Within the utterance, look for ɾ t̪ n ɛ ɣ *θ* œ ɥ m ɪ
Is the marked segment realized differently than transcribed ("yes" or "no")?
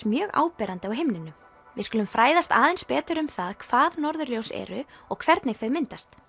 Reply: no